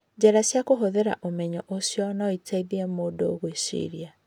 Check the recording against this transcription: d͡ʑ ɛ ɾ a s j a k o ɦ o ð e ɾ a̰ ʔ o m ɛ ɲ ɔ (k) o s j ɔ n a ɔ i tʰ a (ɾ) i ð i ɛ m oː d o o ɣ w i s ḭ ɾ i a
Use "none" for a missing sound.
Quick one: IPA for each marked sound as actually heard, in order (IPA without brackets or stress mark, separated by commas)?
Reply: ʔ, none